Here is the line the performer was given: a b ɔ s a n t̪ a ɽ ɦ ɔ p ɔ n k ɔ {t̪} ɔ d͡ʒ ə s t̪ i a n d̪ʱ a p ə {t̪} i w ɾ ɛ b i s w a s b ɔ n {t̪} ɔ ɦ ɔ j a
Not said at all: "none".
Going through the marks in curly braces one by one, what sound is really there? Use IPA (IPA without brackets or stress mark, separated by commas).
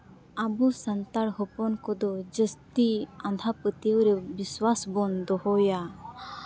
d̪, t̪, d̪